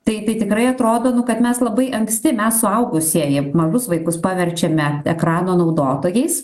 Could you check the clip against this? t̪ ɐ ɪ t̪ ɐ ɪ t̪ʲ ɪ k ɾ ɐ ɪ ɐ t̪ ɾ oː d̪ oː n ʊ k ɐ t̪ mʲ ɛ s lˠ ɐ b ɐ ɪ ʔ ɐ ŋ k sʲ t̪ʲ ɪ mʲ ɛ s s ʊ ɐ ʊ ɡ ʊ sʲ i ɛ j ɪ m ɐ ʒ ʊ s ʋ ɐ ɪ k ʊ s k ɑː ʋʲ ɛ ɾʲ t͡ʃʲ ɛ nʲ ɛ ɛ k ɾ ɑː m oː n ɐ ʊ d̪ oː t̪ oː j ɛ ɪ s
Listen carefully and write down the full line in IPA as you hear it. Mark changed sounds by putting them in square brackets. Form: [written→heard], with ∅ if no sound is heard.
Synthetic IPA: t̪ ɐ ɪ t̪ ɐ ɪ t̪ʲ ɪ k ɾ ɐ ɪ ɐ t̪ ɾ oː d̪ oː n ʊ k ɐ t̪ mʲ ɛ s lˠ ɐ b ɐ ɪ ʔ ɐ ŋ k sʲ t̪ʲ ɪ mʲ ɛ s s ʊ ɐ ʊ ɡ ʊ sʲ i ɛ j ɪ m ɐ ʒ ʊ s ʋ ɐ ɪ k ʊ s [k→p] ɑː ʋʲ ɛ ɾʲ t͡ʃʲ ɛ [nʲ→mʲ] ɛ ɛ k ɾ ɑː [m→n] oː n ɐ ʊ d̪ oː t̪ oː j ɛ ɪ s